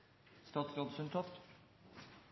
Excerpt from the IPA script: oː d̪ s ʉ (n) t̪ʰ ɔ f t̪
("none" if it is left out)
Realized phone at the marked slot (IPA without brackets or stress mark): n